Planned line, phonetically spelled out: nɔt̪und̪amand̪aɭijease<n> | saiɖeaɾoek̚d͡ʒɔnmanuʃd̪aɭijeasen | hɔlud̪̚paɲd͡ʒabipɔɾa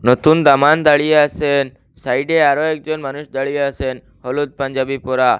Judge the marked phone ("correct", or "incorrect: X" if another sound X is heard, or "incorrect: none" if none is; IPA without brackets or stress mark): correct